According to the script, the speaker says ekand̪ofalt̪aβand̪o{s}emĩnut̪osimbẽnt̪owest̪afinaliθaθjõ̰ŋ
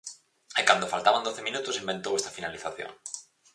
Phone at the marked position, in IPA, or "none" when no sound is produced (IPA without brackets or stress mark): θ